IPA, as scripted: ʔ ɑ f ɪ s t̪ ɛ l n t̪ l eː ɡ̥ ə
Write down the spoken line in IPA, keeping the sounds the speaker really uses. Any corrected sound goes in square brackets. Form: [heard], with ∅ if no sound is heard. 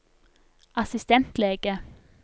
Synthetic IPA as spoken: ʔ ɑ [s] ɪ s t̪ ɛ [∅] n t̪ l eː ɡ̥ ə